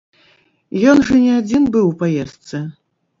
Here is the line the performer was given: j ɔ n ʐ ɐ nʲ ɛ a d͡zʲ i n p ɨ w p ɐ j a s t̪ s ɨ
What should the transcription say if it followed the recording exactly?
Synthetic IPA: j ɔ n ʐ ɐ nʲ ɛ a d͡zʲ i n b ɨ w p a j ɛ s t̪ s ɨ